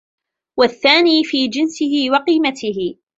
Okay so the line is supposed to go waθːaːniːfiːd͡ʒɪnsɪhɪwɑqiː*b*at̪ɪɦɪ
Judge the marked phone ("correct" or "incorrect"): incorrect